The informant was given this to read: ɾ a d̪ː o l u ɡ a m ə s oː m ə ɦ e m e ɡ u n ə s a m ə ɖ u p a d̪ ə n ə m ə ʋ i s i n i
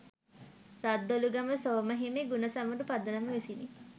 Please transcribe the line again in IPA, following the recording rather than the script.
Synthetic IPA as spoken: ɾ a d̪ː o l u ɡ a m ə s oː m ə ɦ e m e ɡ u n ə s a m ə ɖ u p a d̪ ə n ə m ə ʋ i s i n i